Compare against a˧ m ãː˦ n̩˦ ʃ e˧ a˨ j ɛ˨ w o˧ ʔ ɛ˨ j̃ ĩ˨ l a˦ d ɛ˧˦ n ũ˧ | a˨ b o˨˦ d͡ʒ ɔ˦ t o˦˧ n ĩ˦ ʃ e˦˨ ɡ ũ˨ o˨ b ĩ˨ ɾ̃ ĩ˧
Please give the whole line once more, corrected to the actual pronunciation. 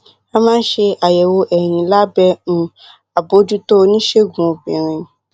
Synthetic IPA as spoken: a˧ m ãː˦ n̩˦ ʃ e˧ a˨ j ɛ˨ w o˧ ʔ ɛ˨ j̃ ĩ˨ l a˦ b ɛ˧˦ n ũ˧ | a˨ b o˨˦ d͡ʒ u˦ t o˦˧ n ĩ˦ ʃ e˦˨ ɡ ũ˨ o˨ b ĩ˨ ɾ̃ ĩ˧

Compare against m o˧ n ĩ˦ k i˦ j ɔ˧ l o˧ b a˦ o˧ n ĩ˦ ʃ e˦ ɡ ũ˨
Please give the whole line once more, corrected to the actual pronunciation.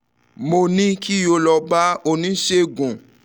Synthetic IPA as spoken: m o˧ n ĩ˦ k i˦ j o˧ l ɔ˧ b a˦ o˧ n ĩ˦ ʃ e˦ ɡ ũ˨

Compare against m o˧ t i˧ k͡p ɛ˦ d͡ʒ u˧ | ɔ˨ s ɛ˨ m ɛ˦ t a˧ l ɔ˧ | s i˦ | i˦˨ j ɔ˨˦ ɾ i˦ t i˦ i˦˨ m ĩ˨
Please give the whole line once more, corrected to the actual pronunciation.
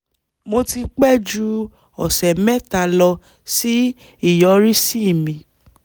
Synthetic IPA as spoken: m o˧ t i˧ k͡p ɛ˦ d͡ʒ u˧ | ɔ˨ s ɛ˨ m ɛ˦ t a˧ l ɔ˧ | s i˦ | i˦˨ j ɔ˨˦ ɾ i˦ s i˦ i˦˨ m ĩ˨

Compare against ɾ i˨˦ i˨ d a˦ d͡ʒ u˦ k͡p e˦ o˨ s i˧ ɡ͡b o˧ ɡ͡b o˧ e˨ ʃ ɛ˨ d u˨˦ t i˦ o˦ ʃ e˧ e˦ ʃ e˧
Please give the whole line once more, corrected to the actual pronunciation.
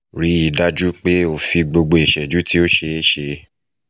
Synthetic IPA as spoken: ɾ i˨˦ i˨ d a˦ d͡ʒ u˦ k͡p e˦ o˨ f i˧ ɡ͡b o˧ ɡ͡b o˧ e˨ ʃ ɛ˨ d͡ʒ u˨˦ t i˦ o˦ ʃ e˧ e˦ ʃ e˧

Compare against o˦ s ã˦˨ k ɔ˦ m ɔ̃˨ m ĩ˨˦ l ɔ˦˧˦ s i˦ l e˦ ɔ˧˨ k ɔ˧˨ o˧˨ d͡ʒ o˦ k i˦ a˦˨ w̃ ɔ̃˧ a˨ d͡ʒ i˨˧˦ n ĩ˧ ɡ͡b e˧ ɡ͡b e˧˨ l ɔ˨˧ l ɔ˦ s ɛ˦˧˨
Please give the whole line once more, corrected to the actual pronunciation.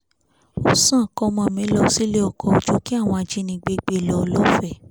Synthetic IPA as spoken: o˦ s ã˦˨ k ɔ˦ m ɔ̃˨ m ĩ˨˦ l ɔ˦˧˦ s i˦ l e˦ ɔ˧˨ k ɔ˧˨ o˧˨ d͡ʒ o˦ k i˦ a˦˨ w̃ ɔ̃˧ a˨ d͡ʒ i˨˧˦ n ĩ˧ ɡ͡b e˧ ɡ͡b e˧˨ l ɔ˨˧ l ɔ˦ f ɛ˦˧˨

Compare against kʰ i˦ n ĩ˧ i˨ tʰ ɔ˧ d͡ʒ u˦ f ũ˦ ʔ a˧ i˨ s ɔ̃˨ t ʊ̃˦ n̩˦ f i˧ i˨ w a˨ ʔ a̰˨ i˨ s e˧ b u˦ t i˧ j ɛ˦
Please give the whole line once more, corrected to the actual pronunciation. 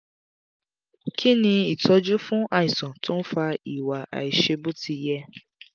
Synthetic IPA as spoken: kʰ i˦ n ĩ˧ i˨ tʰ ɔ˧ d͡ʒ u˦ f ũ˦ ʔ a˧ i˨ s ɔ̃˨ t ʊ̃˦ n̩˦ f a˧ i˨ w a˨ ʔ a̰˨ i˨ ʃ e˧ b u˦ t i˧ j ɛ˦

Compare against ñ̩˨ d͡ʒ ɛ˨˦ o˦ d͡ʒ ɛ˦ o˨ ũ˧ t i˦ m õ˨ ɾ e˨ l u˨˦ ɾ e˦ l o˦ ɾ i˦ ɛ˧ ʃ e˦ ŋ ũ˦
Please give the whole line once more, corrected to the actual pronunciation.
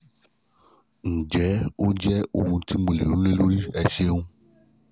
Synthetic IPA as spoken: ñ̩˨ d͡ʒ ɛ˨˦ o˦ d͡ʒ ɛ˦ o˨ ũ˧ t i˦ m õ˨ l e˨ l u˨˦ l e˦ l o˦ ɾ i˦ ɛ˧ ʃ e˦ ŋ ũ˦

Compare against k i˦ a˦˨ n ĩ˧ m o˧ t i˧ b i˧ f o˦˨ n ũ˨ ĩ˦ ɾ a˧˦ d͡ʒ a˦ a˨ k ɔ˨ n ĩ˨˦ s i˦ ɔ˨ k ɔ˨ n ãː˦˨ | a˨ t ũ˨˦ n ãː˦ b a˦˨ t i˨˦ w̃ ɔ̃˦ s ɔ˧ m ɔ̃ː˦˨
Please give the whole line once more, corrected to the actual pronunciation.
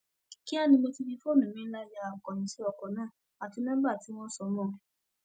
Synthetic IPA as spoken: k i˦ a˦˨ n ĩ˧ m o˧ t i˧ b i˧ f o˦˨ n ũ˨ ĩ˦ l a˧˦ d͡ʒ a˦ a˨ k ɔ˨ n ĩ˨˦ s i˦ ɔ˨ k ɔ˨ n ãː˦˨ | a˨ t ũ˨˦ n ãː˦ b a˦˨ t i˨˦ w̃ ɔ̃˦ s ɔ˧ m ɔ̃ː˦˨

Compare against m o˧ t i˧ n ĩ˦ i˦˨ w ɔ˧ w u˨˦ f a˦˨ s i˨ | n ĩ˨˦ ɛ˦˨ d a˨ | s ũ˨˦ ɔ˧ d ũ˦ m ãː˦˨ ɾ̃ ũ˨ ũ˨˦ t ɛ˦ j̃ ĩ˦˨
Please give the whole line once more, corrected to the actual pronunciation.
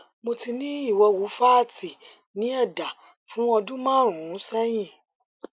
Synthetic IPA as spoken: m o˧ t i˧ n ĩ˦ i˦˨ w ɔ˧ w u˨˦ f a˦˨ t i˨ | n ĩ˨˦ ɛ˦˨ d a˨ | f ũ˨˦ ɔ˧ d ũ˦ m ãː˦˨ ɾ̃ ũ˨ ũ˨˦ s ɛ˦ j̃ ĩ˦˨

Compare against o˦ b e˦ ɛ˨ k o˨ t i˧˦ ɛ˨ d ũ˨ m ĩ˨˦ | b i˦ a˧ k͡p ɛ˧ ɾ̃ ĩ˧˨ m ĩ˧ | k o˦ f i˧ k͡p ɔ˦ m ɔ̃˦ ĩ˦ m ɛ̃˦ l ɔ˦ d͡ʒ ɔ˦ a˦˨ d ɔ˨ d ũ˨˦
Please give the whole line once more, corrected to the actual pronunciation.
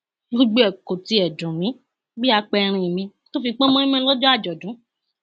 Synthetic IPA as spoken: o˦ ɡ͡b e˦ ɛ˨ k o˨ t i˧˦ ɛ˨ d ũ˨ m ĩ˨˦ | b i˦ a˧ k͡p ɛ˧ ɾ̃ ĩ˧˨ m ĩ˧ | t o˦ f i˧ k͡p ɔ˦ m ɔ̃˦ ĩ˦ m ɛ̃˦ l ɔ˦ d͡ʒ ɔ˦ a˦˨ d͡ʒ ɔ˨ d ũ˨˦

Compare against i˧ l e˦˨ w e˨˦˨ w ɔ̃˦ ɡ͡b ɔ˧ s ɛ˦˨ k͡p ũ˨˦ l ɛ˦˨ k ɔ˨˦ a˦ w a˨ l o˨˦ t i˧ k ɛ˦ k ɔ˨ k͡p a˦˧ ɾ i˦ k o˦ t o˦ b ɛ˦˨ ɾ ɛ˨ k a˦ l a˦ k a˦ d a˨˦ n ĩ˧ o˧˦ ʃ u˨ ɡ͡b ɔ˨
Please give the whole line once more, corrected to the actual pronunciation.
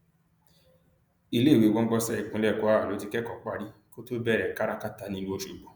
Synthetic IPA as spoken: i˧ l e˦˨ w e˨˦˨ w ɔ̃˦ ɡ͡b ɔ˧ s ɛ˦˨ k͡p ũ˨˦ l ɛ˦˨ k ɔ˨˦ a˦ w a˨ l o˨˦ t i˧ k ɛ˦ k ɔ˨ k͡p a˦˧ ɾ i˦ k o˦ t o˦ b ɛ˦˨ ɾ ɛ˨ k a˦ ɾ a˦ k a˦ t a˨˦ n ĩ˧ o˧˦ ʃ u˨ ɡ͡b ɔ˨

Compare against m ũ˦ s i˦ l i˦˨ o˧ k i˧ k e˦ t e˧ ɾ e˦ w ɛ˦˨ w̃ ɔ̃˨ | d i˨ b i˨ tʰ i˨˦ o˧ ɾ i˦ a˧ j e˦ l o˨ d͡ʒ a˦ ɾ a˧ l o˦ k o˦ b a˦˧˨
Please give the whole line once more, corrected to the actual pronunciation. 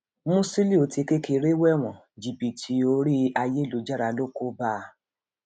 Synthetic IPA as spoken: m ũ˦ s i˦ l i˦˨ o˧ t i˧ k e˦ k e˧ ɾ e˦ w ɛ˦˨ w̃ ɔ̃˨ | d͡ʒ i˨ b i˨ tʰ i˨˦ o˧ ɾ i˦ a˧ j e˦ l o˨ d͡ʒ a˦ ɾ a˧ l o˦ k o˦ b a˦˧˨

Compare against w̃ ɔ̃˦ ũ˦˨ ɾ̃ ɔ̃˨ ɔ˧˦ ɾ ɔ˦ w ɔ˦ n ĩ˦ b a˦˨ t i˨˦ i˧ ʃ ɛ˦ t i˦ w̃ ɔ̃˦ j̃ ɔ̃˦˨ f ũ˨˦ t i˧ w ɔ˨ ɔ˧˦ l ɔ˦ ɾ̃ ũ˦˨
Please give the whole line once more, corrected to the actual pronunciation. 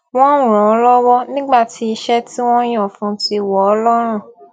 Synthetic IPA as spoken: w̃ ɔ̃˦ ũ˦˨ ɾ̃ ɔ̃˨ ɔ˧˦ l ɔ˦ w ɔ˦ n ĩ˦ ɡ͡b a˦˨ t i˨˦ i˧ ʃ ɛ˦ t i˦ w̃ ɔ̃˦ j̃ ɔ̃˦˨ f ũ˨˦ t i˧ w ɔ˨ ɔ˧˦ l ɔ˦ ɾ̃ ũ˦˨

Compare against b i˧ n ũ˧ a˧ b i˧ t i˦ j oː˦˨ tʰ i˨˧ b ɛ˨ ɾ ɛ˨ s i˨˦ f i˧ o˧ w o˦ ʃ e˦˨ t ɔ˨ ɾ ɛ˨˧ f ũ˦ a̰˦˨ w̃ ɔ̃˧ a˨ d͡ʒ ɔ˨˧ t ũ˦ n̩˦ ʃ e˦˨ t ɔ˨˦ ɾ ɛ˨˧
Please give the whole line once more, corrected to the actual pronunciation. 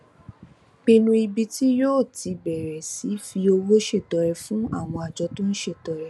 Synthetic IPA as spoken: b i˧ n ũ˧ i˧ b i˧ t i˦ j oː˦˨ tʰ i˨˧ b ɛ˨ ɾ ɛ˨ s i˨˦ f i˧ o˧ w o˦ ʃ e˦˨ t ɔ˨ ɾ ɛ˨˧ f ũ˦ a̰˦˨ w̃ ɔ̃˧ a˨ d͡ʒ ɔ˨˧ t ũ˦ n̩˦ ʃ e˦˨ t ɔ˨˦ ɾ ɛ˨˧

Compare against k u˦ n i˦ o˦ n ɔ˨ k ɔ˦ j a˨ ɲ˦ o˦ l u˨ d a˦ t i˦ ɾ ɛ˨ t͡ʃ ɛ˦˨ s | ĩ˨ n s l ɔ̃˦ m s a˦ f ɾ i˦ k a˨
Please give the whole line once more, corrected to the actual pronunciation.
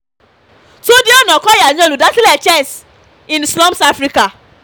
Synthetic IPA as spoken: t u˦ d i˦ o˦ n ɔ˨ k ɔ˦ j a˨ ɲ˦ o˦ l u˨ d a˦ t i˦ l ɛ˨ t͡ʃ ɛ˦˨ s | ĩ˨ n s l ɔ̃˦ m s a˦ f ɾ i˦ k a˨

